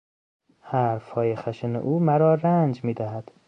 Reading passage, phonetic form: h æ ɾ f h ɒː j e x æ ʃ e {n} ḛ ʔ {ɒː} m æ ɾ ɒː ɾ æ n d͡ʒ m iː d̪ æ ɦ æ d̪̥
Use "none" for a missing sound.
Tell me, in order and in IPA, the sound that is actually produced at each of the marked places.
n, uː

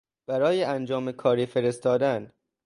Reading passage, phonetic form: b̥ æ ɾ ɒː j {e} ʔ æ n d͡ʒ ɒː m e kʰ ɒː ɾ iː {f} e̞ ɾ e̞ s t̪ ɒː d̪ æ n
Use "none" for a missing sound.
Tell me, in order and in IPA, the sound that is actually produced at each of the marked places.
e, f

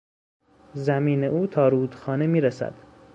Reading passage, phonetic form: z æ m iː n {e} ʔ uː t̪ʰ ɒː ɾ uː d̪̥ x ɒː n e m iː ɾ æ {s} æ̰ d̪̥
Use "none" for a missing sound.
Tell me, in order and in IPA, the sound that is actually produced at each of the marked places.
e, s

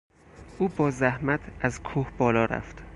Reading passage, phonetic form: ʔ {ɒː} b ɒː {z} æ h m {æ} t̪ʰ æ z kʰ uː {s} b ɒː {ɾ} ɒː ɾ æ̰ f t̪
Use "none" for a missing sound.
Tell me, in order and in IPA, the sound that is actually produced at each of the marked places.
uː, z, æ, h, l

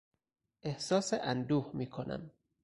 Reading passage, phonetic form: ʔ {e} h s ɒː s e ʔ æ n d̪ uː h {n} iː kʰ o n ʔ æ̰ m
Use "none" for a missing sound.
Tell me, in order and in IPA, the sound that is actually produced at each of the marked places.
e, m

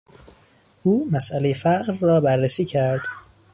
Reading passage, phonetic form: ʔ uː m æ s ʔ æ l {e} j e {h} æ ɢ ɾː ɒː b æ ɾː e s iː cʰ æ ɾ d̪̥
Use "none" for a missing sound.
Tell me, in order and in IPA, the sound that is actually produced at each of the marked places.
e, f

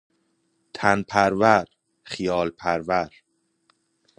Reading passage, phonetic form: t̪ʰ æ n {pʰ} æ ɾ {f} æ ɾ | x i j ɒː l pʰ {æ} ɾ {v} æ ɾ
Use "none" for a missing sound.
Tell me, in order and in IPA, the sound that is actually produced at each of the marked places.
pʰ, v, æ, v

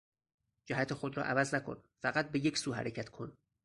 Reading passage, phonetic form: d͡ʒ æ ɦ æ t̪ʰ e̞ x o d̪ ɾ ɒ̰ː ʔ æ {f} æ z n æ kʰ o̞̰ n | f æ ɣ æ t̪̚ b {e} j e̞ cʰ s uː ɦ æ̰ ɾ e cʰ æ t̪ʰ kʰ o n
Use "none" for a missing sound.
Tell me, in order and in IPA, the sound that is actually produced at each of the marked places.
v, e

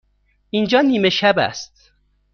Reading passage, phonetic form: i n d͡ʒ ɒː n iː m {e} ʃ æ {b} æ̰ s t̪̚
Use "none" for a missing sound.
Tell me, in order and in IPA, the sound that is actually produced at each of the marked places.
e, b

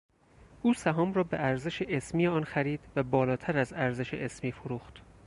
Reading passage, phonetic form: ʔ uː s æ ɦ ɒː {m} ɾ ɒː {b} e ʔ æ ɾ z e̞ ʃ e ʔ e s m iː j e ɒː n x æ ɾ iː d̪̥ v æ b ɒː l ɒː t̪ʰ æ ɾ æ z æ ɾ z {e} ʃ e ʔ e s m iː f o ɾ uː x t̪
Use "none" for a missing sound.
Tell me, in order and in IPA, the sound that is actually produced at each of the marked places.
m, b, e

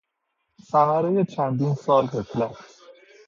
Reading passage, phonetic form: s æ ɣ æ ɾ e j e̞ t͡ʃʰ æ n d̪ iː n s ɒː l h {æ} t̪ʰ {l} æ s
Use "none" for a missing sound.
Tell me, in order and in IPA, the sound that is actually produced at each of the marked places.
e, l

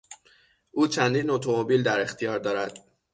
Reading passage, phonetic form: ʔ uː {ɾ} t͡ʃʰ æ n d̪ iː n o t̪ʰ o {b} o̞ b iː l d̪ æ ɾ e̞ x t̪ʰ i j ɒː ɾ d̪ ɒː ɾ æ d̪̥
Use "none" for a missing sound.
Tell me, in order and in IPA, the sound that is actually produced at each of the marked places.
none, m

